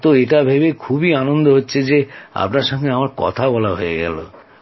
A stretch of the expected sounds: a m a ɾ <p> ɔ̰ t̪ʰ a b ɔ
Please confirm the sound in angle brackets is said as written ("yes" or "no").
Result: no